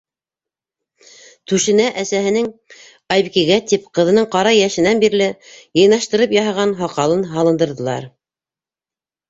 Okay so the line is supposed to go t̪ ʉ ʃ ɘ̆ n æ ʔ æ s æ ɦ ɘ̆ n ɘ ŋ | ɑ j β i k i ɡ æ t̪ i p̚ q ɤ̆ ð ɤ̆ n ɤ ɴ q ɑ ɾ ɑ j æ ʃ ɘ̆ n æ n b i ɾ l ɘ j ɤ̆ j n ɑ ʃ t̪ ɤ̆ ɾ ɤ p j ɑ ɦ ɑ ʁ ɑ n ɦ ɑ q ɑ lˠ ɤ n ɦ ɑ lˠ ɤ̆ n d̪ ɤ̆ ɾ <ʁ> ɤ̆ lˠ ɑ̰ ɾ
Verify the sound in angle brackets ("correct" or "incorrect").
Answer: incorrect